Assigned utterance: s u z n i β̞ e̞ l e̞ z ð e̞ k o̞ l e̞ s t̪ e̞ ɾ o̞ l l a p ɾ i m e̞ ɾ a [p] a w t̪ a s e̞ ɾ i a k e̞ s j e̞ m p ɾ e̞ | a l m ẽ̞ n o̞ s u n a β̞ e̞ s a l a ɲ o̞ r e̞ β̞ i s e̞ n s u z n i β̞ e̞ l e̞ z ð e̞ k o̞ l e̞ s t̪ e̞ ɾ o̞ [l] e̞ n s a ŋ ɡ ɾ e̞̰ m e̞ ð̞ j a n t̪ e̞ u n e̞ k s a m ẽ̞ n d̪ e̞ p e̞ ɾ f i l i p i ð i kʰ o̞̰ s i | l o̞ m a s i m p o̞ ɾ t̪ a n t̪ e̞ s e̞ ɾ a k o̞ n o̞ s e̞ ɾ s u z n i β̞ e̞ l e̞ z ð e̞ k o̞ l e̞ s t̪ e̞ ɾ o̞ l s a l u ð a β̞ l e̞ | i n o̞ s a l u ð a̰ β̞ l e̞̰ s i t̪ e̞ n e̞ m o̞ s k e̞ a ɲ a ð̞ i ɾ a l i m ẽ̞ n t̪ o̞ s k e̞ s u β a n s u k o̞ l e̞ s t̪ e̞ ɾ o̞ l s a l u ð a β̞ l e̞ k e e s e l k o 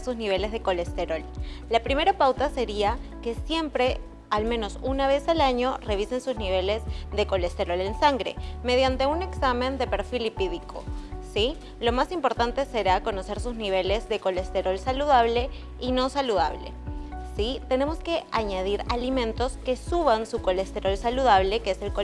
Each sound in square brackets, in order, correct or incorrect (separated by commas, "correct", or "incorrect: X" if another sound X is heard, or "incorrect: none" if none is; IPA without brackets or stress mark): correct, correct